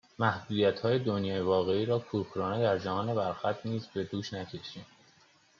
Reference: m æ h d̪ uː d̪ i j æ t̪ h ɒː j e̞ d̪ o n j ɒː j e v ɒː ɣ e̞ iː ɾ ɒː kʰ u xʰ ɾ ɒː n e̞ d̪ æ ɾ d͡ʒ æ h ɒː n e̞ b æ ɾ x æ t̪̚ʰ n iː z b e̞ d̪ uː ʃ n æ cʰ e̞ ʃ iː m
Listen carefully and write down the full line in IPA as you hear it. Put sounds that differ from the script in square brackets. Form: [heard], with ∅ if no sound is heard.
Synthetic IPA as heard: m æ h d̪ uː d̪ i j æ t̪ h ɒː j e̞ d̪ o n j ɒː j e v ɒː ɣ e̞ iː ɾ ɒː kʰ u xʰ ɾ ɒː n e̞ d̪ æ ɾ d͡ʒ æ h ɒː n e̞ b æ ɾ x æ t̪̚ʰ n iː z b e̞ d̪ uː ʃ n æ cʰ e̞ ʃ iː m